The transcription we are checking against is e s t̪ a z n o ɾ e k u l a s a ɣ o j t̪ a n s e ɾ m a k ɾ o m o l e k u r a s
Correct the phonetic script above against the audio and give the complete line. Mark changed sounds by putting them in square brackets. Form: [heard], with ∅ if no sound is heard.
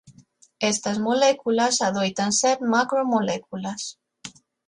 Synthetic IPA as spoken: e s t̪ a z [m] o [l] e k u l a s a [ð] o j t̪ a n s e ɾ m a k ɾ o m o l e k u [l] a s

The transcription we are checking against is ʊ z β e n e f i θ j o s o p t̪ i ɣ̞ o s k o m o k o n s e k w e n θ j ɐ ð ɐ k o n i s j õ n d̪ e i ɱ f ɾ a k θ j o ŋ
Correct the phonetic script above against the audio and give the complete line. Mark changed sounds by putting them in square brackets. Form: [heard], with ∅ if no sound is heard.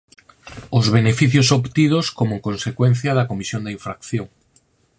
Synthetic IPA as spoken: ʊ z β e n e f i θ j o s o p t̪ i [ð̞] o s k o m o k o n s e k w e n θ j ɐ ð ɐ k o [m] i s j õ n d̪ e i ɱ f ɾ a k θ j o ŋ

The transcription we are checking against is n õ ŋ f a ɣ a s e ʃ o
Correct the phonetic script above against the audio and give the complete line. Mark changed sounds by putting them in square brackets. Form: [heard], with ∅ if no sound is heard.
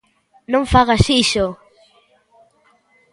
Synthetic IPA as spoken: n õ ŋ f a ɣ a s [i] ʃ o

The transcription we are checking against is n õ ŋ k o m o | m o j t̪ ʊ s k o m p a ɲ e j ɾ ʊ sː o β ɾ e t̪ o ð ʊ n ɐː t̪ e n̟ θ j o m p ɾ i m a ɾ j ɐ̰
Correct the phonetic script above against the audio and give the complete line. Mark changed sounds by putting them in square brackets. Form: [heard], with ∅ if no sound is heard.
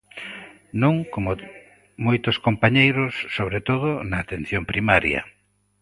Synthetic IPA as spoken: n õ ŋ k o m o | m o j t̪ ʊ s k o m p a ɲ e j ɾ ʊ sː o β ɾ e t̪ o ð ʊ n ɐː t̪ e n̟ θ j o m p ɾ i m a ɾ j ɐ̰

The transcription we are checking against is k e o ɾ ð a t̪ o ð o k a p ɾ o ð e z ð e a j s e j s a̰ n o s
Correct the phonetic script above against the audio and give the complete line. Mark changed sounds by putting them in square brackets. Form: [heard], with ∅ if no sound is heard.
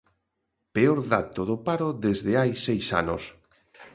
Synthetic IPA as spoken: [p] e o ɾ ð a t̪ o ð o [p] a [∅] ɾ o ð e z ð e a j s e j s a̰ n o s

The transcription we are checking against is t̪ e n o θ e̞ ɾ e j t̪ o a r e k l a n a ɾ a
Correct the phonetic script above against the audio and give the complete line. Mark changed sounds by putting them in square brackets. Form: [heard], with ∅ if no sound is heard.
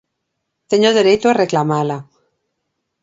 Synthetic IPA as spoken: t̪ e [ɲ] o [ð] e̞ ɾ e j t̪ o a r e k l a [m] a [l] a

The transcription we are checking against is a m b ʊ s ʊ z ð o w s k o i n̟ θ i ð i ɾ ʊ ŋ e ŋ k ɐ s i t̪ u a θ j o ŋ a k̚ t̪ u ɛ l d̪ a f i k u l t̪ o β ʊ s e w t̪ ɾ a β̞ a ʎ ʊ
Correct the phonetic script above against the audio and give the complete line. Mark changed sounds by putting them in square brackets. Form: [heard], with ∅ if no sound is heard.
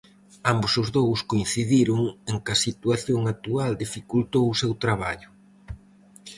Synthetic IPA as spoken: a m b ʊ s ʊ z ð o w s k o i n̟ θ i ð i ɾ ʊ ŋ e ŋ k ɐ s i t̪ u a θ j o ŋ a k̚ t̪ u [a] l d̪ [i] f i k u l t̪ o [w] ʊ s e w t̪ ɾ a β̞ a ʎ ʊ

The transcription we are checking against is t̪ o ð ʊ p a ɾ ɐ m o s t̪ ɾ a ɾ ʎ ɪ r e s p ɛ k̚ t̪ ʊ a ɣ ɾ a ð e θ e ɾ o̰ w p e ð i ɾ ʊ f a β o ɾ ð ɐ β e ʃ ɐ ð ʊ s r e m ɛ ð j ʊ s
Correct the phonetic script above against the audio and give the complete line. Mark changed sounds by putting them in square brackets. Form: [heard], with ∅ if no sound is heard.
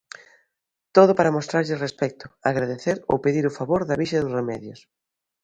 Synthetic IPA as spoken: t̪ o ð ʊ p a ɾ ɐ m o s t̪ ɾ a ɾ ʎ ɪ r e s p ɛ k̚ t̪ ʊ a ɣ ɾ a ð e θ e ɾ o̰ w p e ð i ɾ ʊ f a β o ɾ ð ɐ β [i] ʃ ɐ ð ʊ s r e m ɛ ð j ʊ s

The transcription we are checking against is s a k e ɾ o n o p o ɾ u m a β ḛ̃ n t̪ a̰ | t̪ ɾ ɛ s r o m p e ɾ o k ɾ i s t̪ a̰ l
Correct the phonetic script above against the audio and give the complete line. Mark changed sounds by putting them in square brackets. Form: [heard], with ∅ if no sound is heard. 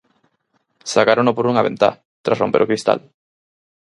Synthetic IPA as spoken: s a k [a] ɾ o n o p o ɾ u [ŋ] a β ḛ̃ n t̪ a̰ | t̪ ɾ [a] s r o m p e ɾ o k ɾ i s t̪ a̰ l

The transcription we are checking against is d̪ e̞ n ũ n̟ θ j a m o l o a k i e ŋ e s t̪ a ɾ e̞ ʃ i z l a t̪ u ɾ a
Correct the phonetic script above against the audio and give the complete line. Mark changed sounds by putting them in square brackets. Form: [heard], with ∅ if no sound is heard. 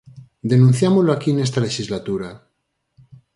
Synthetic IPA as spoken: d̪ e̞ n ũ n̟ θ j a m o l o a k i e [n] e s t̪ a [l] e̞ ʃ i z l a t̪ u ɾ a

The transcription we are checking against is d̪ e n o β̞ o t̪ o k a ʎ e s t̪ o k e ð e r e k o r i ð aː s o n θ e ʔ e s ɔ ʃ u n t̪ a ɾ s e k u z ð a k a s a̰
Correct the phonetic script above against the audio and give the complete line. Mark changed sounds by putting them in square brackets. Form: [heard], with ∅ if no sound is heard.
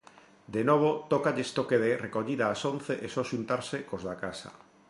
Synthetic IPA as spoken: d̪ e n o β̞ o t̪ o k a ʎ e s t̪ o k e ð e r e k o [ʎ] i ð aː s o n θ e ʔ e s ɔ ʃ u n t̪ a ɾ s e k [o] z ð a k a s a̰

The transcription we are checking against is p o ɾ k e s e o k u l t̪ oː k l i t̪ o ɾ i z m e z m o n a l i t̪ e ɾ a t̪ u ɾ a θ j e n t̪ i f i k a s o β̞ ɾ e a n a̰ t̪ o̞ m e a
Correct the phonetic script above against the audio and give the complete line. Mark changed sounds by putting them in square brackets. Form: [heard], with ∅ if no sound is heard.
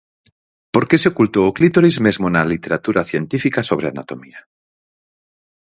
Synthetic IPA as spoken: p o ɾ k e s e o k u l t̪ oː k l i t̪ o ɾ i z m e z m o n a l i t̪ e ɾ a t̪ u ɾ a θ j e n t̪ i f i k a s o β̞ ɾ e a n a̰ t̪ o̞ m [i] a

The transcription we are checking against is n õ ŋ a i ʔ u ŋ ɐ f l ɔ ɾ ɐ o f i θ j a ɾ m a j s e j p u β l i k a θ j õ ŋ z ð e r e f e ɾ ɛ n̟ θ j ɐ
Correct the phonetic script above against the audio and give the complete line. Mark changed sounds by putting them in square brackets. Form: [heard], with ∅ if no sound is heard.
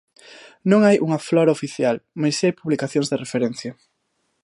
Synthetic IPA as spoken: n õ ŋ a [j] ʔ u ŋ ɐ f l ɔ ɾ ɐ o f i θ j a [l] m a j s [a] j p u β l i k a θ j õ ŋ z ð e r e f e ɾ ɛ n̟ θ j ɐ

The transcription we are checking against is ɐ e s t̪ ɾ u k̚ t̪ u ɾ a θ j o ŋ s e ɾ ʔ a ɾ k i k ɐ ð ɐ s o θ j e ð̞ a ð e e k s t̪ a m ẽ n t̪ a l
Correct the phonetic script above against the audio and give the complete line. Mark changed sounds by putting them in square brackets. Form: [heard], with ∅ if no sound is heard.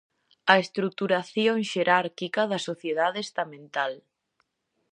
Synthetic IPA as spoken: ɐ e s t̪ ɾ u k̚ t̪ u ɾ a θ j o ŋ [ʃ] e ɾ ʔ a ɾ k i k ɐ ð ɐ s o θ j e ð̞ a ð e e [∅] s t̪ a m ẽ n t̪ a l

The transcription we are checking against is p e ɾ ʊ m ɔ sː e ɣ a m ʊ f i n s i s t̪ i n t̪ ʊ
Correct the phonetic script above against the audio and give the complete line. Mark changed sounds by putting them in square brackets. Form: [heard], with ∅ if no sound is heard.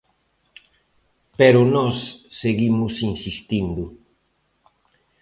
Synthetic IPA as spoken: p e ɾ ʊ [n] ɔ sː e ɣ [i] m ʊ [s] i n s i s t̪ i n [d̪] ʊ

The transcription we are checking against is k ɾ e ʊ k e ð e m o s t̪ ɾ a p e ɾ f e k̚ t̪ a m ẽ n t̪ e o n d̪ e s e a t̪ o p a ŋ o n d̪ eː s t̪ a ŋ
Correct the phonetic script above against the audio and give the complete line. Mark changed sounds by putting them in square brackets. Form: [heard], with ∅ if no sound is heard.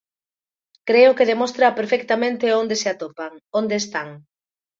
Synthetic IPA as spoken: k ɾ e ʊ k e ð e m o s t̪ ɾ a p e ɾ f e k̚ t̪ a m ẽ n t̪ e o n d̪ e s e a t̪ o p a ŋ o n d̪ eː s t̪ a ŋ

